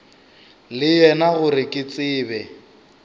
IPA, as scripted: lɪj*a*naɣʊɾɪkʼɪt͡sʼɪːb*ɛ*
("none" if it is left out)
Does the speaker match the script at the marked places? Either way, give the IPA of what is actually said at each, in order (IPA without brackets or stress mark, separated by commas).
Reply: ɛ, ɛ